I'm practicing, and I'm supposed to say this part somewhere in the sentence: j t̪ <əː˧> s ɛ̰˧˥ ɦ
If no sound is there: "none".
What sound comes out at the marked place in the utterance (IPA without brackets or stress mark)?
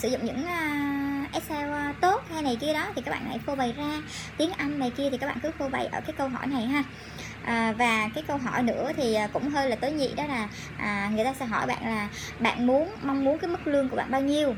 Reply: aː˧